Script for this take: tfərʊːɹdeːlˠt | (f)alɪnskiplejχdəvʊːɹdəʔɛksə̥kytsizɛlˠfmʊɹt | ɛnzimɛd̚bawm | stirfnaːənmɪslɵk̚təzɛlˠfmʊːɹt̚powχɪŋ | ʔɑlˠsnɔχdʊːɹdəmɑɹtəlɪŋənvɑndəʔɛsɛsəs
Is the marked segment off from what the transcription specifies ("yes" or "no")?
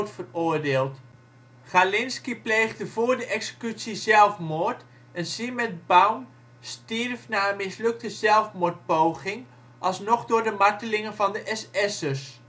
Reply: yes